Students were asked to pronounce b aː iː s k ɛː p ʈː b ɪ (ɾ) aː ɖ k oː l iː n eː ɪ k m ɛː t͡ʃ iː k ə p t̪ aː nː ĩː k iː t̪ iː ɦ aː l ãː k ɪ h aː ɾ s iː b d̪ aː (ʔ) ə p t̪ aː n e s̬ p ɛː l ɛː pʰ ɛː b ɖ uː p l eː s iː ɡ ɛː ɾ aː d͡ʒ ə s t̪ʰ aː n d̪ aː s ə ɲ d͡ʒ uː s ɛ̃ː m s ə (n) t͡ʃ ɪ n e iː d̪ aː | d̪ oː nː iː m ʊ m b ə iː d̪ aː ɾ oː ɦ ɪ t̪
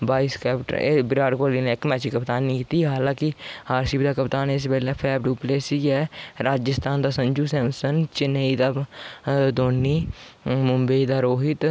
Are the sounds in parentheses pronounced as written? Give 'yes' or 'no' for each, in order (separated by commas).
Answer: yes, no, yes